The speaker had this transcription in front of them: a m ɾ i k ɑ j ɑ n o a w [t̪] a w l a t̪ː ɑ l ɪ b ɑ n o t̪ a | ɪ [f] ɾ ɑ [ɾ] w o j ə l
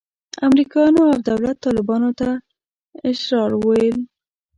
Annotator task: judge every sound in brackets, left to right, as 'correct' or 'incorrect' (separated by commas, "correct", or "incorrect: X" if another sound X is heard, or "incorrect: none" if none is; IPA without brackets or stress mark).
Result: incorrect: d̪, incorrect: ʃ, correct